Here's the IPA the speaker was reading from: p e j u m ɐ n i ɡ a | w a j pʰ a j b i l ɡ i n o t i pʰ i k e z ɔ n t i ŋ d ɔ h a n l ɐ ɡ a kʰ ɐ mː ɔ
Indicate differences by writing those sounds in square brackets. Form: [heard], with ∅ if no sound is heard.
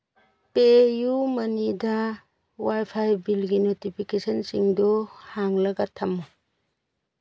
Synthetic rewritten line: p e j u m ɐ n i [d] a | w a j pʰ a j b i l ɡ i n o t i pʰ i k e [s] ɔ n [s] i ŋ d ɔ h a [ŋ] l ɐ ɡ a [tʰ] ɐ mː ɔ